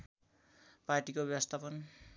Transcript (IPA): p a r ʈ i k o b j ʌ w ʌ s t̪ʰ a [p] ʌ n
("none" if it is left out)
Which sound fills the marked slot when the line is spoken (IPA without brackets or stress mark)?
p